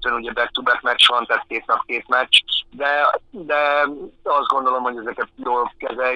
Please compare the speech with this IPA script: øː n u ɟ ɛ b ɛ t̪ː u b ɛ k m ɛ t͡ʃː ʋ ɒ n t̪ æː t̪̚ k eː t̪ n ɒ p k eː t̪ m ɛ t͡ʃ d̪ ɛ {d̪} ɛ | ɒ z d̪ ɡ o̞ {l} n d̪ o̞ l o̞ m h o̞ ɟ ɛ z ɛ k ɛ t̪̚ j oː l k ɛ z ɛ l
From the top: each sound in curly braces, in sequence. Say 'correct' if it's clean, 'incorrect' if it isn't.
correct, incorrect: none

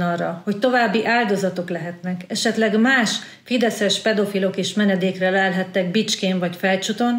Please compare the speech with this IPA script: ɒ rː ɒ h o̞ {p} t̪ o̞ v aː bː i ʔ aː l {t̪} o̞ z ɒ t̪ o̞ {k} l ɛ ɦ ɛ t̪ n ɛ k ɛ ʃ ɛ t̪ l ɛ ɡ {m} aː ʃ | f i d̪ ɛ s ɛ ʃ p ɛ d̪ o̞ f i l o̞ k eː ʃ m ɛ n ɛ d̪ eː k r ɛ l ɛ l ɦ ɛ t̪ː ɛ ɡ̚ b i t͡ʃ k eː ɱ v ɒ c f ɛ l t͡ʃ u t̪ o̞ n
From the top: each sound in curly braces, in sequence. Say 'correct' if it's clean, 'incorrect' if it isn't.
incorrect: c, incorrect: d̪, correct, correct

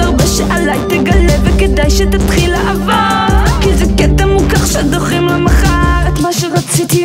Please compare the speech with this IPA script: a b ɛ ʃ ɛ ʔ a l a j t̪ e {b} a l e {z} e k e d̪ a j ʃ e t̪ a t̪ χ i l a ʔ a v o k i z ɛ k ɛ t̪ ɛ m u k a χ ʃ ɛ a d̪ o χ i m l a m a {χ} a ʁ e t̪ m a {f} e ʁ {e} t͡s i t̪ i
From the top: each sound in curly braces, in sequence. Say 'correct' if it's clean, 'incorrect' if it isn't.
incorrect: ɡ, incorrect: v, correct, incorrect: ʃ, incorrect: a

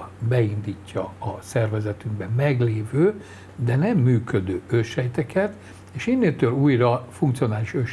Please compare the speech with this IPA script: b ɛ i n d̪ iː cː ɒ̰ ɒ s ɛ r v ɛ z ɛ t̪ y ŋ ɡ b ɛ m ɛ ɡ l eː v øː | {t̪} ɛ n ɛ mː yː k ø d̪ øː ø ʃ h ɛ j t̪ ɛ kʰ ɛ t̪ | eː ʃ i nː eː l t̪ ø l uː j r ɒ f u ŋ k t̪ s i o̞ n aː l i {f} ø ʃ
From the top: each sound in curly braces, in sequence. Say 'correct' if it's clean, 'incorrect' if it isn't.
incorrect: d̪, incorrect: ʃ

